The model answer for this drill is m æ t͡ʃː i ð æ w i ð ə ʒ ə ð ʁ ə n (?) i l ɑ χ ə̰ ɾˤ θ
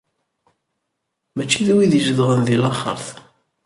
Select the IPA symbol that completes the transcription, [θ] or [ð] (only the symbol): ð